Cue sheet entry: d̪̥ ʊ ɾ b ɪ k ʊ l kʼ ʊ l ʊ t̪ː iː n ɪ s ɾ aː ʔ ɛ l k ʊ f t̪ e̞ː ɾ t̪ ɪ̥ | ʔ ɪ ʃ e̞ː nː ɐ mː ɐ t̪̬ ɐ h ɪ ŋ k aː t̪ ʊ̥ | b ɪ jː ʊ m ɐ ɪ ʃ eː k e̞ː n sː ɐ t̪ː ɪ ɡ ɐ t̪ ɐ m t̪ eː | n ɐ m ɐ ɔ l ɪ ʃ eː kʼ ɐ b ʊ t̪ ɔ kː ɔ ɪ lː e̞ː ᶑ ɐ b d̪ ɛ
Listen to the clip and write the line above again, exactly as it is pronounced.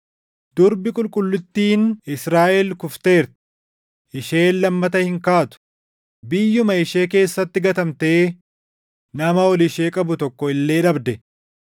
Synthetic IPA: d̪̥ ʊ ɾ b ɪ kʼ ʊ l kʼ ʊ lː ʊ t̪ː iː n ɪ s ɾ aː ʔ ɛ l k ʊ f t̪ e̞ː ɾ t̪ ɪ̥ | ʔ ɪ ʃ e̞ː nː ɐ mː ɐ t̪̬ ɐ h ɪ ŋ k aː t̪ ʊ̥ | b ɪ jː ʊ m ɐ ɪ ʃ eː k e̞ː sː ɐ t̪ː ɪ ɡ ɐ t̪ ɐ m t̪ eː | n ɐ m ɐ ɔ l ɪ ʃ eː kʼ ɐ b ʊ t̪ ɔ kː ɔ ɪ lː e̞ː ᶑ ɐ b d̪ ɛ